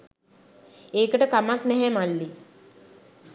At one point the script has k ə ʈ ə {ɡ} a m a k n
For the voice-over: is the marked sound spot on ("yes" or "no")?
no